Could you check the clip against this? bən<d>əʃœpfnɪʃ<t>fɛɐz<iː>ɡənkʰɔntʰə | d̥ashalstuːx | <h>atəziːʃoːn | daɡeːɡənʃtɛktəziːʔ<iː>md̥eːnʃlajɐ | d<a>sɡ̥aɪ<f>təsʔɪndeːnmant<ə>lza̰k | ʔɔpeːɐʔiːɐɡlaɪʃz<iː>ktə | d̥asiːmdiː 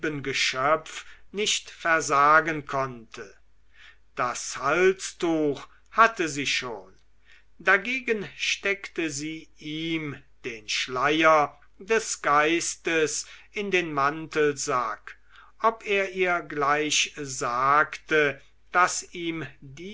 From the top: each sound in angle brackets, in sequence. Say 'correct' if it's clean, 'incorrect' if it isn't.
incorrect, correct, incorrect, correct, correct, incorrect, incorrect, correct, incorrect

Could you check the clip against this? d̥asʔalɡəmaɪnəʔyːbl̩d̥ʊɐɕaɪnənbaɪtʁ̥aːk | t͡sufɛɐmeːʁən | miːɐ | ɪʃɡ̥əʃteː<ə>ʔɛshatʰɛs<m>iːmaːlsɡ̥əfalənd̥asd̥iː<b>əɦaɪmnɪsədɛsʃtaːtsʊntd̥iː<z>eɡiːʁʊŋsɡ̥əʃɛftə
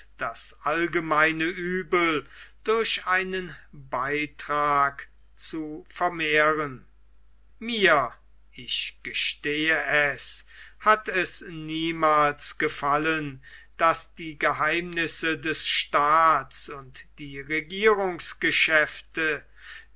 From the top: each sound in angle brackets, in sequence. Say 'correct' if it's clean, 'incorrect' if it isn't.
correct, incorrect, incorrect, incorrect

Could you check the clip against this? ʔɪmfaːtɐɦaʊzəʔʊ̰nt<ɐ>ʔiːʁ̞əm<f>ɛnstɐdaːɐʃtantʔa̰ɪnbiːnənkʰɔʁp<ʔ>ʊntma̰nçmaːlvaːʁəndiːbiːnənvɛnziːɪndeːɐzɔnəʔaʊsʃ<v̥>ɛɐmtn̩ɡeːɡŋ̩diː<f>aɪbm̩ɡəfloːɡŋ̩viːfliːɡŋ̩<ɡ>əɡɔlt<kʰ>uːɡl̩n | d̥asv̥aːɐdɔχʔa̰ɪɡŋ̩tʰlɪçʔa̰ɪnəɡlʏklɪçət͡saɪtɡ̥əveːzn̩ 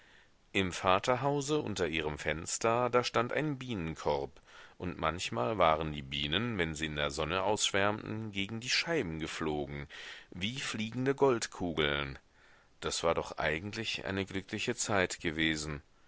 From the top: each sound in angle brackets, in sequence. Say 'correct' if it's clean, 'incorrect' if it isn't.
correct, correct, correct, correct, incorrect, incorrect, correct

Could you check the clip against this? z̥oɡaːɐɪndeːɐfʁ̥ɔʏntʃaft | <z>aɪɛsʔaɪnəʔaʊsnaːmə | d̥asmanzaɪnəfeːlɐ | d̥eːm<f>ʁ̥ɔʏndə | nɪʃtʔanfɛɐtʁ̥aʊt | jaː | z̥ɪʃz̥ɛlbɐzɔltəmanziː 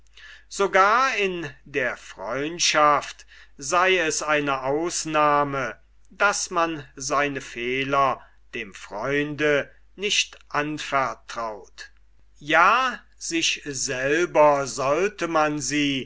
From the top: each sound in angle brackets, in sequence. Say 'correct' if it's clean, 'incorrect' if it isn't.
correct, correct

